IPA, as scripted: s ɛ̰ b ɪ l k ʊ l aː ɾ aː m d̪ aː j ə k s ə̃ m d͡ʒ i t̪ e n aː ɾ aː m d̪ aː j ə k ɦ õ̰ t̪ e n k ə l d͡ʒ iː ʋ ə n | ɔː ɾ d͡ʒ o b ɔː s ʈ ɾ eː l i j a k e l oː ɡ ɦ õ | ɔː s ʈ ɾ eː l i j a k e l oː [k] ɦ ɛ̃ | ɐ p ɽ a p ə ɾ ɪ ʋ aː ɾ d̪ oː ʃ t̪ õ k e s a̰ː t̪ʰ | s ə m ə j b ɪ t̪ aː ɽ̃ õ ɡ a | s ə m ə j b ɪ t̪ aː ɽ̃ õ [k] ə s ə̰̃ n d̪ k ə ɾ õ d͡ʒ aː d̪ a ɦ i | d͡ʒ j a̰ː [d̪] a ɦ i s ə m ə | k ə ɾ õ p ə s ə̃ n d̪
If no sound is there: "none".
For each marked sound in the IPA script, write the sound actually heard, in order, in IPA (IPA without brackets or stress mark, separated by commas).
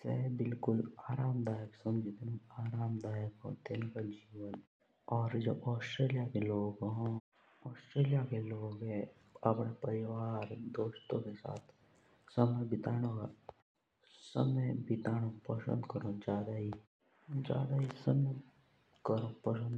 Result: ɡ, p, d̪